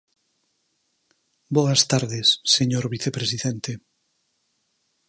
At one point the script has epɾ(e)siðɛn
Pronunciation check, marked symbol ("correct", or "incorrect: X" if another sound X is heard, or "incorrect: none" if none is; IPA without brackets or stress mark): correct